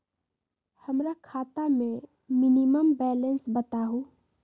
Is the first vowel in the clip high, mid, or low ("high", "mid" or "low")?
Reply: mid